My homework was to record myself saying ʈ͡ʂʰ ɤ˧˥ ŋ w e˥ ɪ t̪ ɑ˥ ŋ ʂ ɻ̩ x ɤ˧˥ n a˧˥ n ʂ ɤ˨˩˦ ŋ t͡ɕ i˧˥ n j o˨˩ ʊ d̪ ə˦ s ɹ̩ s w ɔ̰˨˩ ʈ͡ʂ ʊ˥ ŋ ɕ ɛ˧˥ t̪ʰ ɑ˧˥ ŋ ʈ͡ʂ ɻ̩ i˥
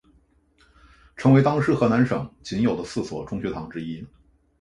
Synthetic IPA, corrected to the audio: ʈ͡ʂʰ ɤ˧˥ ŋ w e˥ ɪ t̪ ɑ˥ ŋ ʂ ɻ̩ x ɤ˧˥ n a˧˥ n ʂ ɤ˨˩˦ ŋ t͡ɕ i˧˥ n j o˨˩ ʊ d̪ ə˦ s ɹ̩ s w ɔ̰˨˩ ʈ͡ʂ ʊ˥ ŋ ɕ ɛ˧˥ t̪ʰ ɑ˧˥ ŋ ʈ͡ʂ ɻ̩ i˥